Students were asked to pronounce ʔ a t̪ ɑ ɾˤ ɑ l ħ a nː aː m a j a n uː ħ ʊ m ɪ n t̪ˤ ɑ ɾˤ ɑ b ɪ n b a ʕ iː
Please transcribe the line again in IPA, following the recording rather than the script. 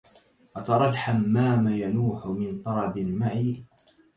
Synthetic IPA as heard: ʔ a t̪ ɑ ɾˤ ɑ l ħ a mː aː m a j a n uː ħ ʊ m ɪ n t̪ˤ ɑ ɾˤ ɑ b ɪ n m a ʕ iː